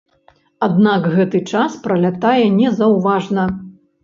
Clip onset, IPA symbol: a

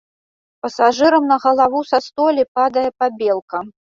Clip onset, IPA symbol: p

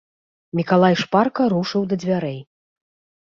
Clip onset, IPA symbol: mʲ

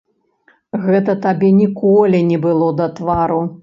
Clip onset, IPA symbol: ɣ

